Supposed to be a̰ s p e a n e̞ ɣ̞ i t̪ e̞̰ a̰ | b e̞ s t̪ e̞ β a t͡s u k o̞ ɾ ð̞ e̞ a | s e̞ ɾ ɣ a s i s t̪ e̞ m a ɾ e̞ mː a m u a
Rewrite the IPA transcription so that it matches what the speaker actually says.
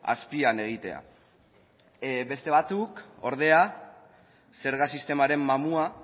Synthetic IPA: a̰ s p i a n e̞ ɣ̞ i t̪ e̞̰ a̰ | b e̞ s t̪ e̞ β a t͡s u k o̞ ɾ ð̞ e̞ a | s e̞ ɾ ɣ a s i s t̪ e̞ m a ɾ e̞ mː a m u a